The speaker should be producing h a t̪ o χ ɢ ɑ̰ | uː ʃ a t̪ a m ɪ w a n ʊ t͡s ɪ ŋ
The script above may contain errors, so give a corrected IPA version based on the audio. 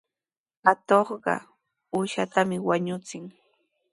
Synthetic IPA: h a t̪ o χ ɢ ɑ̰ | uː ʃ a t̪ a m ɪ w a ɲ ʊ t͡s ɪ ŋ